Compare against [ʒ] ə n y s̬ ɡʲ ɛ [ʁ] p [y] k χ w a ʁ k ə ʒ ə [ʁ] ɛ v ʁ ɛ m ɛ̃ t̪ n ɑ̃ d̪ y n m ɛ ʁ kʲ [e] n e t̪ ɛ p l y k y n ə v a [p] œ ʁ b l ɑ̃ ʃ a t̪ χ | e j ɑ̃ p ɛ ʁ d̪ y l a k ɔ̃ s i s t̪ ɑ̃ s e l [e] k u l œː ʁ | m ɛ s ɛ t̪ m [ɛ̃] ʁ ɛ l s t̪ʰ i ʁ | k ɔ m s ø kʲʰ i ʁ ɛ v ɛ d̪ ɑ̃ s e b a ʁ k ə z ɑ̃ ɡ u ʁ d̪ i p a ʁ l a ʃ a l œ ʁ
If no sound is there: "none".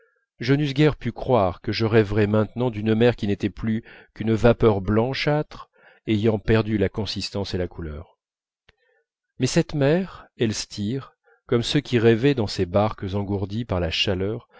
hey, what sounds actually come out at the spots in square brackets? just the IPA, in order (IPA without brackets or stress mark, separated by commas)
ʒ, ʁ, y, ʁ, i, p, a, ɛ